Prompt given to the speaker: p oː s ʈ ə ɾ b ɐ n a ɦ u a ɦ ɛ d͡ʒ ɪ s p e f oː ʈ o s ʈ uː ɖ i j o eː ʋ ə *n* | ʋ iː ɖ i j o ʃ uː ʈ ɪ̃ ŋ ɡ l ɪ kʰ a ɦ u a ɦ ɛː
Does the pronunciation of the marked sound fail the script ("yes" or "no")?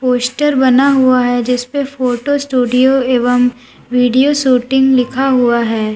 yes